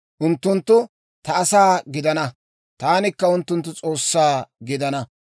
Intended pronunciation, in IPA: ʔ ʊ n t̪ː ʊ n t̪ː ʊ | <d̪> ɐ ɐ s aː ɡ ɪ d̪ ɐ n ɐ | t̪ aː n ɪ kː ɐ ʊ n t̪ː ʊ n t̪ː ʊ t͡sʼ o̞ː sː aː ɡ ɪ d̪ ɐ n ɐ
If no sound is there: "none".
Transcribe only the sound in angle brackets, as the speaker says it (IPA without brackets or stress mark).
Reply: t̪